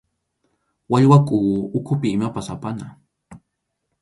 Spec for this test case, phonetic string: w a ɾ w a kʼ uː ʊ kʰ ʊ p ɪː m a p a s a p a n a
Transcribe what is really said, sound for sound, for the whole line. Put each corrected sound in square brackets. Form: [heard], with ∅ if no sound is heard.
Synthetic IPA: w a [ʎ] w a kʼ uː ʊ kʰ ʊ p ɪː m a p a s a p a n a